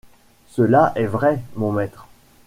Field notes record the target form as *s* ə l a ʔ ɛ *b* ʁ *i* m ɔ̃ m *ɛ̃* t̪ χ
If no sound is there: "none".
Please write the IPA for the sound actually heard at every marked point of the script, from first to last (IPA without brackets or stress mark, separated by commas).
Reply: s, v, ɛ, ɛ